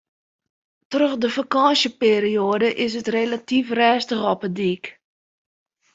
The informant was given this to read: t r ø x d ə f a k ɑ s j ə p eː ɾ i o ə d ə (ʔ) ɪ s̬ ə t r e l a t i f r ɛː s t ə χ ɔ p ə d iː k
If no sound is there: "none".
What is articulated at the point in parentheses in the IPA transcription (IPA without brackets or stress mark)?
ʔ